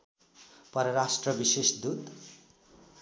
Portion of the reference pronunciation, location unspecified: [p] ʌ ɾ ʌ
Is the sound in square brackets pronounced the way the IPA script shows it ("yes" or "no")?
yes